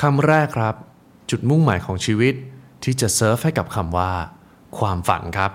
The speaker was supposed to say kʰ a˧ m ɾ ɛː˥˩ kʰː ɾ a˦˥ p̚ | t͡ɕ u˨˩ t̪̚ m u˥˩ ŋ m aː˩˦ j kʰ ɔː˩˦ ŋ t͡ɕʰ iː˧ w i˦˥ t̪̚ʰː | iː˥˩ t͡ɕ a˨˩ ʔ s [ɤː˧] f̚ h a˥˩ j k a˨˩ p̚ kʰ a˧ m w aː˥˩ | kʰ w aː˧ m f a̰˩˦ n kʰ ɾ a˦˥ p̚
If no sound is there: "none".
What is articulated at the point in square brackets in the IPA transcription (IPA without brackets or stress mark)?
ɤː˦˥